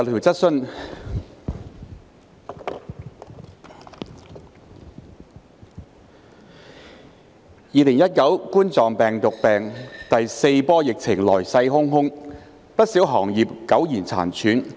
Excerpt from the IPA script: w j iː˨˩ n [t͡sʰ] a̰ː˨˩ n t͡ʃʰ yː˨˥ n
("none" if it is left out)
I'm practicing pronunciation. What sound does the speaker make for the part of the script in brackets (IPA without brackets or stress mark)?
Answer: t͡sʰ